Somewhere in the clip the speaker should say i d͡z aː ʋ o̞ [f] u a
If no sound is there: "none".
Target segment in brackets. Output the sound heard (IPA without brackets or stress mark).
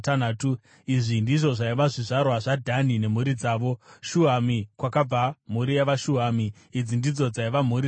ʃ